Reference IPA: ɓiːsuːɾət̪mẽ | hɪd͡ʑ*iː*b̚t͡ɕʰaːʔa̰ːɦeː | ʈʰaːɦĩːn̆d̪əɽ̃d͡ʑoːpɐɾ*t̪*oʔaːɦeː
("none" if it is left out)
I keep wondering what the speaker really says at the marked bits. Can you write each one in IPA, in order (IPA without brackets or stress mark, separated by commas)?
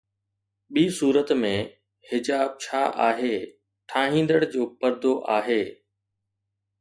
aː, d̪